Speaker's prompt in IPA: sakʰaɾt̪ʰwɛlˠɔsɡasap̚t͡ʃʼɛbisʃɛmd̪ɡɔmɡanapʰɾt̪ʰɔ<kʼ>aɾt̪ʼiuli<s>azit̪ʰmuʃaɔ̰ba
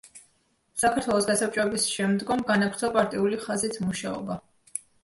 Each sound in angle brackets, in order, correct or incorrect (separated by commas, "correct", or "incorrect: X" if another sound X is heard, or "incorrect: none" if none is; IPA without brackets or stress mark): incorrect: pʼ, incorrect: χ